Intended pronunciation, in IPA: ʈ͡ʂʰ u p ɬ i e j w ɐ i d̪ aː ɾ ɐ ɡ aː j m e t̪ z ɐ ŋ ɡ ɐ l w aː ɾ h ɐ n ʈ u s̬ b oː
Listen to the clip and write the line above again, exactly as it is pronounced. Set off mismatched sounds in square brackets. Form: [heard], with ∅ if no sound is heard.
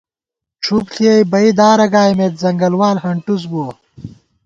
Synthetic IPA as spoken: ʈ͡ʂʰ u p ɬ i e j [b] ɐ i d̪ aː ɾ ɐ ɡ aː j m e t̪ z ɐ ŋ ɡ ɐ l w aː [l] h ɐ [ɳ] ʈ u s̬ b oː